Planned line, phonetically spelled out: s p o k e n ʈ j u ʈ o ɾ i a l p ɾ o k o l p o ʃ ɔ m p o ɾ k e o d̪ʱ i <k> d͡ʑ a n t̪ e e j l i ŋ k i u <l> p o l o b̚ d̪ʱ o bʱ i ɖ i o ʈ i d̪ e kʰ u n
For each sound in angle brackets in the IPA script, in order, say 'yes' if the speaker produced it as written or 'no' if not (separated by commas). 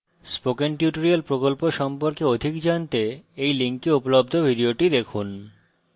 yes, no